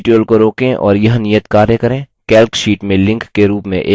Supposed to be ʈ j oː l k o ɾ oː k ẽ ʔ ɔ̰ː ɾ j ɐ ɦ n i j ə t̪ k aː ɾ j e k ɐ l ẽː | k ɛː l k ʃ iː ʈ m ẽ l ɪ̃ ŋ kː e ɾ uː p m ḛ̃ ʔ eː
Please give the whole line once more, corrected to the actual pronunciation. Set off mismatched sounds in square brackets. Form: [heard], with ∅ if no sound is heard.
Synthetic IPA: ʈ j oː l k o ɾ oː k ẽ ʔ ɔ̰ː ɾ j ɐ ɦ n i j ə t̪ k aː ɾ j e k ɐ [ɾ] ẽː | k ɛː l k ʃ iː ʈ m ẽ l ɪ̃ ŋ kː e ɾ uː p m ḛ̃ ʔ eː